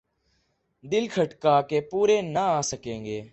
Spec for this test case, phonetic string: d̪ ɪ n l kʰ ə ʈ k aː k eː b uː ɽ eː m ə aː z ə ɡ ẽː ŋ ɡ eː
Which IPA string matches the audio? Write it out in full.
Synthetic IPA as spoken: d̪ ɪ l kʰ ə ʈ k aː k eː p uː ɾ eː n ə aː s ə k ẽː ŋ ɡ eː